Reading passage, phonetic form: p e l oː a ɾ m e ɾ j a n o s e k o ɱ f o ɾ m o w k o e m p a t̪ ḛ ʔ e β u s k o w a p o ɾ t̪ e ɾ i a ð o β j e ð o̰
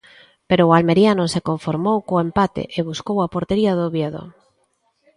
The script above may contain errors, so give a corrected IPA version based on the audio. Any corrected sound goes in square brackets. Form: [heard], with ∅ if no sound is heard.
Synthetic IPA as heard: p e [ɾ] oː a [l] m e ɾ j a n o s e k o ɱ f o ɾ m o w k o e m p a t̪ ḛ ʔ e β u s k o w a p o ɾ t̪ e ɾ i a ð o β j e ð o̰

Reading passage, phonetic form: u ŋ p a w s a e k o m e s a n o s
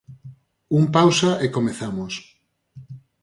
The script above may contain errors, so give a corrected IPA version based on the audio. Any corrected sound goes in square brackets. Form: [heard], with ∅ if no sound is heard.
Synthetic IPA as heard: u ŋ p a w s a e k o m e [θ] a [m] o s

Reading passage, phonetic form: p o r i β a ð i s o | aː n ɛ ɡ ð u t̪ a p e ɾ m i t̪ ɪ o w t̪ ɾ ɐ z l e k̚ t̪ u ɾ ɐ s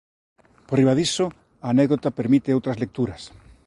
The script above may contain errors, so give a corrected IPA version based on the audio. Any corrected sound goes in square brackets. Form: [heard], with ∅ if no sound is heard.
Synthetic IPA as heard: p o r i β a ð i s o | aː n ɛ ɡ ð [o] t̪ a p e ɾ m i t̪ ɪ o w t̪ ɾ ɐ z l e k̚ t̪ u ɾ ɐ s

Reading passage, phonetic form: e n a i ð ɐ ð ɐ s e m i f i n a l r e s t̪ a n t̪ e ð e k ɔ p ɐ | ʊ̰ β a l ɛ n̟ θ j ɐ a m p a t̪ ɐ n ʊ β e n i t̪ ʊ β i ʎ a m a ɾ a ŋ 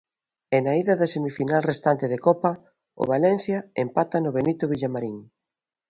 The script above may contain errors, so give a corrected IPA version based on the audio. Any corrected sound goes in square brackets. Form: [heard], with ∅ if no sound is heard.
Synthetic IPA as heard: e n a i ð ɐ ð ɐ s e m i f i n a l r e s t̪ a n t̪ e ð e k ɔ p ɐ | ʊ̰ β a l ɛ n̟ θ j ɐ [e] m p a t̪ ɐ n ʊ β e n i t̪ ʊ β i ʎ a m a ɾ [i] ŋ

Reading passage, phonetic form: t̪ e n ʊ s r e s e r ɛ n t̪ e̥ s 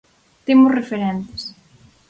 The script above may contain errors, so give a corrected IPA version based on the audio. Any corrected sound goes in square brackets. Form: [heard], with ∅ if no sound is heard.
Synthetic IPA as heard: t̪ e [m] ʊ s r e [f] e [ɾ] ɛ n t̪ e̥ s

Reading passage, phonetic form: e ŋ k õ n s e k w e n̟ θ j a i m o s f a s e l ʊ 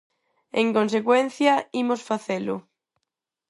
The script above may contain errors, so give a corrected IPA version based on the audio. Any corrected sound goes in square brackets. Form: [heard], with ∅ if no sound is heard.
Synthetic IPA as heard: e ŋ k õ n s e k w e n̟ θ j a i m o s f a [θ] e l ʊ

